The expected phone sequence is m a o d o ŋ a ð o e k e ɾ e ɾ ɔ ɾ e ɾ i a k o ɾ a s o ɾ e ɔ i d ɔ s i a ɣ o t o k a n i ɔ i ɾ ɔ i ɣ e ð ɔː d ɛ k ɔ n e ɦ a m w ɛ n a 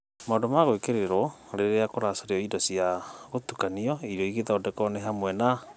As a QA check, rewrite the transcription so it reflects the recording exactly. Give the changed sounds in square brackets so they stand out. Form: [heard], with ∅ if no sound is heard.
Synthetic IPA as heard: m a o d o [m] a [ɣ] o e k e ɾ e ɾ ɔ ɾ e ɾ [e] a k o ɾ a s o ɾ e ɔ i d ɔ s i a ɣ o t [u] k a n i ɔ i ɾ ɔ i ɣ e ð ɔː d ɛ k ɔ n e ɦ a m w ɛ n a